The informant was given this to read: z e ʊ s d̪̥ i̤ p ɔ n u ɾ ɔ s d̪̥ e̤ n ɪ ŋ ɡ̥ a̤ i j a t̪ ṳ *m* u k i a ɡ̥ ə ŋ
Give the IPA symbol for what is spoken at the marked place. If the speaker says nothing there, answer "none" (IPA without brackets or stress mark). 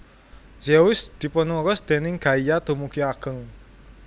m